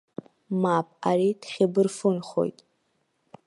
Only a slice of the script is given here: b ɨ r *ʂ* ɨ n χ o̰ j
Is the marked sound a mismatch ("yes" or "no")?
yes